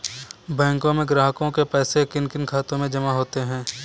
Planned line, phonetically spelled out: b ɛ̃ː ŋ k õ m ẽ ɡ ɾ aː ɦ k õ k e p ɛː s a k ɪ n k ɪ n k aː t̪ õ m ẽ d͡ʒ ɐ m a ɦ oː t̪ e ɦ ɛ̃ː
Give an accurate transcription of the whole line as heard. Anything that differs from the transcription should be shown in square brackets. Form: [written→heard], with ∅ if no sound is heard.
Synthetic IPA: b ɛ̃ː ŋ k õ m ẽ ɡ ɾ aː ɦ k õ k e p ɛː s [a→e] k ɪ n k ɪ n [k→kʰ] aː t̪ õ m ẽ d͡ʒ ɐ m a ɦ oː t̪ e ɦ ɛ̃ː